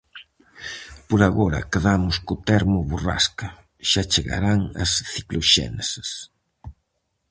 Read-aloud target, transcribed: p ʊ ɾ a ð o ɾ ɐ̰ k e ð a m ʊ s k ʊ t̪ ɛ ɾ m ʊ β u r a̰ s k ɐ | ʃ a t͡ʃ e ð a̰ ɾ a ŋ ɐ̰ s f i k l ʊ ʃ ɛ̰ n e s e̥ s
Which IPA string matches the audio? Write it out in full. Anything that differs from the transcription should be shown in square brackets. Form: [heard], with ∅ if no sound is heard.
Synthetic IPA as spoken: p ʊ ɾ a [ɣ] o ɾ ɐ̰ k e ð a m ʊ s k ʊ t̪ ɛ ɾ m ʊ β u r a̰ s k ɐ | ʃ a t͡ʃ e [ɣ] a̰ ɾ a ŋ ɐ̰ s [θ] i k l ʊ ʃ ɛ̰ n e s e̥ s